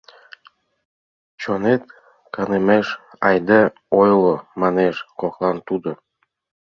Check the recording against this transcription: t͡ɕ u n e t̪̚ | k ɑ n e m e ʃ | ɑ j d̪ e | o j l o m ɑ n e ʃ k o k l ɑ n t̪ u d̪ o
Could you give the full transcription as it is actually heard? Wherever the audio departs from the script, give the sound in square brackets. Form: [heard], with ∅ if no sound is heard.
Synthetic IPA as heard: t͡ɕ [o] n e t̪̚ | k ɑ n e m e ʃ | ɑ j d̪ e | o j l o m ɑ n e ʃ k o k l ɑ n t̪ u d̪ o